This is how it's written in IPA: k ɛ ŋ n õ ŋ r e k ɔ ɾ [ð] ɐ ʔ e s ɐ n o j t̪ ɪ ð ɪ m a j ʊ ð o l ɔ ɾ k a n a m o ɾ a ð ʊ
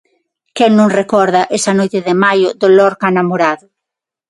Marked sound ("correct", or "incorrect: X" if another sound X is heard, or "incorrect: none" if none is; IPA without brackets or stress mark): correct